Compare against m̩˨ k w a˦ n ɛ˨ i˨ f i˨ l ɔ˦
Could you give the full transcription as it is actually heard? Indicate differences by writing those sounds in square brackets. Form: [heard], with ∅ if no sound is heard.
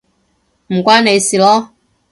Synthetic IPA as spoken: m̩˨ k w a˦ n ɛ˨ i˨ [s] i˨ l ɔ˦